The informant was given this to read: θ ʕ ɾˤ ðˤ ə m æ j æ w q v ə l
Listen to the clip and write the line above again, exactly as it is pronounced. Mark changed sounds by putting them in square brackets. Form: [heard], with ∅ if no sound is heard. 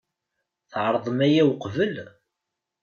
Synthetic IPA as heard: θ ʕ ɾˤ ðˤ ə m æ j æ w q v ə l